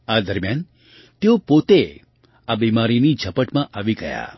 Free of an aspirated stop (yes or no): yes